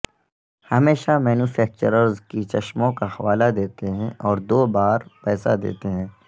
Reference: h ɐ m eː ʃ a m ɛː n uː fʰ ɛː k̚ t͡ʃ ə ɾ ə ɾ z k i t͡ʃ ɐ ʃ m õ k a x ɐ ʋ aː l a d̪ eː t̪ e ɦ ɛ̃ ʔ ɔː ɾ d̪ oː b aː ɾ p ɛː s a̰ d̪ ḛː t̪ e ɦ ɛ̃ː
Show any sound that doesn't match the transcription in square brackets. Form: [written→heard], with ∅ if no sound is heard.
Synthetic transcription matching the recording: h ɐ m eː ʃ a m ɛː n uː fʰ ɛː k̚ t͡ʃ ə ɾ ə ɾ z k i t͡ʃ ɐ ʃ m õ k a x ɐ ʋ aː l a d̪ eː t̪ e ɦ ɛ̃ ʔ ɔː ɾ d̪ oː b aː ɾ p ɛː s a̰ d̪ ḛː t̪ e ɦ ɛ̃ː

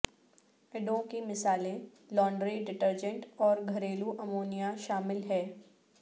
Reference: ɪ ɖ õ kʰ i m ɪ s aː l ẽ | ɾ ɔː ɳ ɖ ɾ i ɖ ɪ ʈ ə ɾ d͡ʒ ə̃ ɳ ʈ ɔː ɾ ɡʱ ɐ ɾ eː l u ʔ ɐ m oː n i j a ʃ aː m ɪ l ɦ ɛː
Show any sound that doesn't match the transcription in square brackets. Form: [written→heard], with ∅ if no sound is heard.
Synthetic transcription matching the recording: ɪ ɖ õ [kʰ→k] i m ɪ s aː l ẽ | [ɾ→l] ɔː ɳ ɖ ɾ i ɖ ɪ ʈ ə ɾ d͡ʒ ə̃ ɳ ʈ ɔː ɾ ɡʱ ɐ ɾ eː l u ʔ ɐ m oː n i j a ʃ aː m ɪ l ɦ ɛː

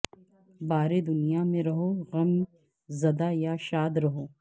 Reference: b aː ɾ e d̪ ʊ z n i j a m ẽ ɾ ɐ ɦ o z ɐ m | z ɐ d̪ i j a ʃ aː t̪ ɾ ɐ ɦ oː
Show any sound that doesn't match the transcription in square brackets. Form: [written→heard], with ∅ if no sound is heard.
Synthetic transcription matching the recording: b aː ɾ e d̪ ʊ [z→∅] n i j a m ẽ ɾ ɐ ɦ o [z→ɣ] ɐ m | z ɐ d̪ [i→a] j a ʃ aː [t̪→d̪] ɾ ɐ ɦ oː

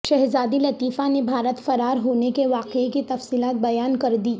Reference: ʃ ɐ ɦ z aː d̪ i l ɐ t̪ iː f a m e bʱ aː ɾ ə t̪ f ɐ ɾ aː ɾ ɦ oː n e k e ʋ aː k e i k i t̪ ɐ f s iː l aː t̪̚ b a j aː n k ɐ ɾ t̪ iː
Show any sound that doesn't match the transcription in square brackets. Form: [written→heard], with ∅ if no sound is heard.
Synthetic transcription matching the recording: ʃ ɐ ɦ z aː d̪ i l ɐ t̪ iː f a [m→n] e bʱ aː ɾ ə t̪ f ɐ ɾ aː ɾ ɦ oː n e k e ʋ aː [k→q] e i k i t̪ ɐ f s iː l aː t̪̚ b [a→ɐ] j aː n k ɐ ɾ [t̪→d̪] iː

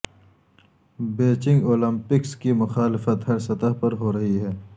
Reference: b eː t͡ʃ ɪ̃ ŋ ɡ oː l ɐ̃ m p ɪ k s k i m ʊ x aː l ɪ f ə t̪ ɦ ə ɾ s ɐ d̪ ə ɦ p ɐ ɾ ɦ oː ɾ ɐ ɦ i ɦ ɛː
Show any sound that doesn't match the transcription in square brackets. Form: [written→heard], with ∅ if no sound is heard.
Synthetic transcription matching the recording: b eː t͡ʃ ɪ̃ ŋ ɡ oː l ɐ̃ m p ɪ k s k i m ʊ x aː l ɪ f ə t̪ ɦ [ə→ɐ] ɾ s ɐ [d̪→t̪] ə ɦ p ɐ ɾ ɦ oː ɾ ɐ ɦ i ɦ ɛː

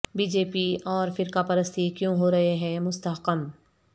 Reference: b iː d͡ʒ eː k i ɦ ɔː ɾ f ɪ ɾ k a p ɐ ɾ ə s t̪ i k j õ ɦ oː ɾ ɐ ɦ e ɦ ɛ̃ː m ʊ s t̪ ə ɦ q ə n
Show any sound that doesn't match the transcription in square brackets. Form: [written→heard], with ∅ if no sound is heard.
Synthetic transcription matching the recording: b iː d͡ʒ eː [k→p] i [ɦ→∅] ɔː ɾ f ɪ ɾ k a p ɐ ɾ ə s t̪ i k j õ ɦ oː ɾ ɐ ɦ e ɦ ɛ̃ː m ʊ s t̪ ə ɦ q ə [n→m]

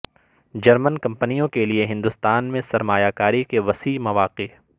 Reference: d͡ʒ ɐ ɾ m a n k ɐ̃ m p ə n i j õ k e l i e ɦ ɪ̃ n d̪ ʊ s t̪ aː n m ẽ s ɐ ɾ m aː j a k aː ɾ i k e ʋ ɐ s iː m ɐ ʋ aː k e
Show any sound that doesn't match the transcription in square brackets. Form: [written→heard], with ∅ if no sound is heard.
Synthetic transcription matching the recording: d͡ʒ ɐ ɾ m [a→ə] n k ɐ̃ m p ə n i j õ k e l i e ɦ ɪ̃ n d̪ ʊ s t̪ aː n m ẽ s ɐ ɾ m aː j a k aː ɾ i k e ʋ ɐ s iː m ɐ ʋ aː [k→q] e

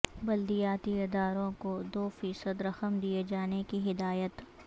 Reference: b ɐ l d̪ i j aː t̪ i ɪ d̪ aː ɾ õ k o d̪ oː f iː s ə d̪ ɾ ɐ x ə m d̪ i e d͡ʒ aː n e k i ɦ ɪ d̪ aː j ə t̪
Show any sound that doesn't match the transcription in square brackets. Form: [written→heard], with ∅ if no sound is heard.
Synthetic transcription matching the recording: b ɐ l d̪ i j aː t̪ i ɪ d̪ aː ɾ õ k o d̪ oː f iː s ə d̪ ɾ ɐ x ə m d̪ i e d͡ʒ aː n e k i ɦ ɪ d̪ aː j ə t̪

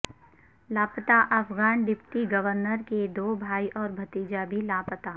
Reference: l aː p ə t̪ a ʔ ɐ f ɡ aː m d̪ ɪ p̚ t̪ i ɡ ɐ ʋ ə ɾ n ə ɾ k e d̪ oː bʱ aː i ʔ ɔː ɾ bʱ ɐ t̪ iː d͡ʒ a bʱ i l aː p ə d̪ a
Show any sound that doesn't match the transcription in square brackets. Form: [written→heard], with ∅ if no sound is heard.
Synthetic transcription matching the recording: l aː p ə t̪ a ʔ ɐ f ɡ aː [m→n] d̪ ɪ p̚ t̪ i ɡ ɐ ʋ ə ɾ n ə ɾ k e d̪ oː bʱ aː i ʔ ɔː ɾ bʱ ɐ t̪ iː d͡ʒ a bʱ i l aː p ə [d̪→t̪] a

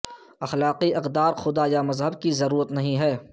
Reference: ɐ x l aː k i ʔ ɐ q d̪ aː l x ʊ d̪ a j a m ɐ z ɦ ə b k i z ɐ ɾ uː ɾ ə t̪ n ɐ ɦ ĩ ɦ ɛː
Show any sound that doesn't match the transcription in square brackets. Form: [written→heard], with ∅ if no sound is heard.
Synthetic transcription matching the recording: ɐ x l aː [k→q] i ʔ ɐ q d̪ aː [l→ɾ] x ʊ d̪ a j a m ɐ z ɦ ə b k i z ɐ ɾ uː ɾ ə t̪ n ɐ ɦ ĩ ɦ ɛː

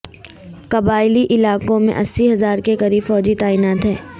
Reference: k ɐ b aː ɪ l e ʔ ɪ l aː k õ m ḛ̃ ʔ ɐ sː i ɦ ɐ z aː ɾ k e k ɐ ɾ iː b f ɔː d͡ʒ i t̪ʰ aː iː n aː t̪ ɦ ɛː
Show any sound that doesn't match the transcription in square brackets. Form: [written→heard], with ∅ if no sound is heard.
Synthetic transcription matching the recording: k ɐ b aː ɪ l [e→i] ʔ ɪ l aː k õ m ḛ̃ ʔ ɐ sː i ɦ ɐ z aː ɾ k e k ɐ ɾ iː b f ɔː d͡ʒ i [t̪ʰ→t̪] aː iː n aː t̪ ɦ ɛː

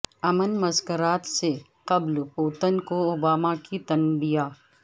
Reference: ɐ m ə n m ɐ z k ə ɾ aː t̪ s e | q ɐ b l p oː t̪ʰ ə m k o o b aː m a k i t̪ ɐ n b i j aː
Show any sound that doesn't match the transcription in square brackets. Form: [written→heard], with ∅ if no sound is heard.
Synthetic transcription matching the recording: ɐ m ə n m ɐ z k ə ɾ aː t̪ s e | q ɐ b l p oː [t̪ʰ→t̪] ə [m→n] k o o b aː m a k i t̪ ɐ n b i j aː

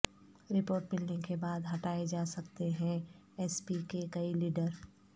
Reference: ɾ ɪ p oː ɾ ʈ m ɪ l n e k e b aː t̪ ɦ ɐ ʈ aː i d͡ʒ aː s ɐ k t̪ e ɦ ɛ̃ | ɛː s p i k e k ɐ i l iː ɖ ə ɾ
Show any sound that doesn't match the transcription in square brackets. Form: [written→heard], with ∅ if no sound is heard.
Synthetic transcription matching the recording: ɾ ɪ p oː ɾ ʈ m ɪ l n e k e b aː [t̪→d̪] ɦ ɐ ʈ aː [i→e] d͡ʒ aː s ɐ k t̪ e ɦ ɛ̃ | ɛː s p i k e k ɐ i l iː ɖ ə ɾ

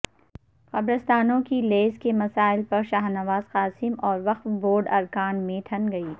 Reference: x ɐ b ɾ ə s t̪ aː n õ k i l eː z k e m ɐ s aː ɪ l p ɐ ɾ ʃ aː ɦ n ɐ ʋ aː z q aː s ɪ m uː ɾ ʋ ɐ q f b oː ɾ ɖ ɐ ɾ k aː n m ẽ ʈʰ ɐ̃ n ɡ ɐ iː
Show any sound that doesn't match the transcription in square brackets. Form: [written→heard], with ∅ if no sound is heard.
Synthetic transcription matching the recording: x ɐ b ɾ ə s t̪ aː n õ k i l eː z k e m ɐ s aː ɪ l p ɐ ɾ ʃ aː ɦ n ɐ ʋ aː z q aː s ɪ m [uː→ɔː] ɾ ʋ ɐ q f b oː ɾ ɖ ɐ ɾ k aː n m ẽ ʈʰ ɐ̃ n ɡ ɐ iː

